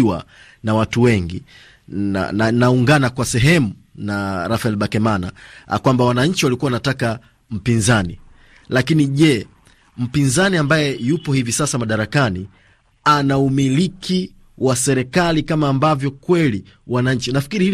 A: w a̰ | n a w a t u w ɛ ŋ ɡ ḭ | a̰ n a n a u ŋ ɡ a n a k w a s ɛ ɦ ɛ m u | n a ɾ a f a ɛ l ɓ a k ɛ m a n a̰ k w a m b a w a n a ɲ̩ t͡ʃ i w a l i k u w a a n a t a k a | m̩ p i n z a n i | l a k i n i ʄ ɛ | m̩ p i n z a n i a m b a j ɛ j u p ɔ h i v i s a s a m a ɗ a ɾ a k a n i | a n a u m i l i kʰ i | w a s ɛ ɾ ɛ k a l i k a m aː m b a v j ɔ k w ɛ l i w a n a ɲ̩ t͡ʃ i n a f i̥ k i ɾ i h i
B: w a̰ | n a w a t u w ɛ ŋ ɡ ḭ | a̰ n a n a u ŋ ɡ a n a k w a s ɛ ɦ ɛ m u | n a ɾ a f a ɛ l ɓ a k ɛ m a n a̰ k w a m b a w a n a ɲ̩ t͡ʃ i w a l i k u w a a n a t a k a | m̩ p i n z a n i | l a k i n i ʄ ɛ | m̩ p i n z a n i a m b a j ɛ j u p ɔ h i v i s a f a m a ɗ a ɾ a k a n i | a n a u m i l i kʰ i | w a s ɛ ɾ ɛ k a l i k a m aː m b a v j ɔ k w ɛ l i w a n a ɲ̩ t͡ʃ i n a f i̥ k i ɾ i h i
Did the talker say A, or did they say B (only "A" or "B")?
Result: A